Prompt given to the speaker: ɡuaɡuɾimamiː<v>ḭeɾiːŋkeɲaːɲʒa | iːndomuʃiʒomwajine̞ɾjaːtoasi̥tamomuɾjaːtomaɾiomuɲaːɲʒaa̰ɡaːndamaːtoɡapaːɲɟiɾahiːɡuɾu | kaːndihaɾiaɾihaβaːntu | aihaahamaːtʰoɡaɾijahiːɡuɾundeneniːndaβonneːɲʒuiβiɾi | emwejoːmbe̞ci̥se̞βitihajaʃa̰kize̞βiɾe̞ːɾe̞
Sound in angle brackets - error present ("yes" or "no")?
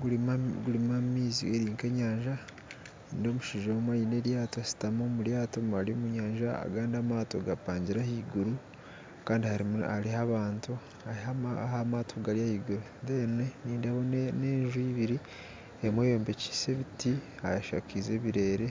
yes